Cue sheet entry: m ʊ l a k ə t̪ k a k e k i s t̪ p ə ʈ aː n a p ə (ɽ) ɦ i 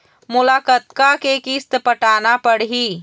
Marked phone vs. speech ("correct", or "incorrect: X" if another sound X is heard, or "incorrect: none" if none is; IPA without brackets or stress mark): correct